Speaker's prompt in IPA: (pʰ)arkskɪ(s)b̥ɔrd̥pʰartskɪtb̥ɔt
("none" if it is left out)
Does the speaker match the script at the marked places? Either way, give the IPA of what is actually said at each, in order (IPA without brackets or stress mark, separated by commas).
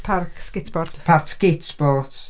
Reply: pʰ, t